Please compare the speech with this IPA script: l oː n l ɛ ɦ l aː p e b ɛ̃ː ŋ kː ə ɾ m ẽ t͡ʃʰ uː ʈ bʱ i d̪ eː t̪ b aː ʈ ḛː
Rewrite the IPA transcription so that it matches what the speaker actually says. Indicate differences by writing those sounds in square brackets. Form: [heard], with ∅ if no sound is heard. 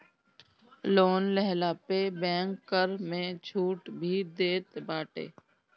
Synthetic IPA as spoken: l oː n l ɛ ɦ l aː p e b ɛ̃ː ŋ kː ə ɾ m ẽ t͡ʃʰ uː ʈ bʱ i d̪ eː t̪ b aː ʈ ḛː